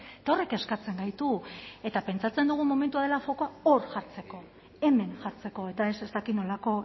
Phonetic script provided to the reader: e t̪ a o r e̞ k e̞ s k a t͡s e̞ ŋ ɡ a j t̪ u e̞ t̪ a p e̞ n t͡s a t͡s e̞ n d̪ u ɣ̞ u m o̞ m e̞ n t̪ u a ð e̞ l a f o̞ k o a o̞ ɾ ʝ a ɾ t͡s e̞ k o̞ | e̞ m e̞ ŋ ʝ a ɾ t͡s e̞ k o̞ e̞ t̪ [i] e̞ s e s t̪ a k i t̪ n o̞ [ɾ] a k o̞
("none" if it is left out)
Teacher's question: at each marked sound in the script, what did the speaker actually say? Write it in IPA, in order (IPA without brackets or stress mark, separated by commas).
a, l